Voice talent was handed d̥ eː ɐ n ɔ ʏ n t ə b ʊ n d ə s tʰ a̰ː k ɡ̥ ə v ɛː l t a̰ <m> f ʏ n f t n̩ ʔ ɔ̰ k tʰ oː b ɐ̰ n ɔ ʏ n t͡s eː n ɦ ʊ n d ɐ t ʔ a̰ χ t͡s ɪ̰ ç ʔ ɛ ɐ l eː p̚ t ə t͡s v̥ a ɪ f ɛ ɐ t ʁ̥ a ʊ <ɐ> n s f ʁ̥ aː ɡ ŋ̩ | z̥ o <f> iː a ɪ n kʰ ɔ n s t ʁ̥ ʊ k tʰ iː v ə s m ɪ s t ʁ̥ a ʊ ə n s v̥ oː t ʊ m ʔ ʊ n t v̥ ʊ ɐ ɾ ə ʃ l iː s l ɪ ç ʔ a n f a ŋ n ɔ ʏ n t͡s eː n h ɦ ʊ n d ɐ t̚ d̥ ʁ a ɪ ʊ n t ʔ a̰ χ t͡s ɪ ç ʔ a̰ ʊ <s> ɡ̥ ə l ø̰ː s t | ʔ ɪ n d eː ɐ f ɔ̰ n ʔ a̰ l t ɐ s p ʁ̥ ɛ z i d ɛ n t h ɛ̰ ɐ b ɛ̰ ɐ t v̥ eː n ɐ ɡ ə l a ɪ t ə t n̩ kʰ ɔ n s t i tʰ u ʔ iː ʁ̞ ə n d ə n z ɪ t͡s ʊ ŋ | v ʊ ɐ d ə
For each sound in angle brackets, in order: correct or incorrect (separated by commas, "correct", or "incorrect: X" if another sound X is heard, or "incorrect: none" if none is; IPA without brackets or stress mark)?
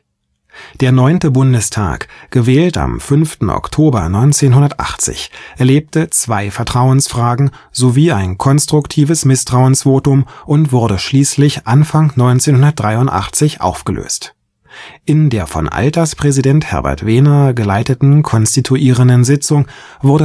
correct, incorrect: ə, incorrect: v, incorrect: f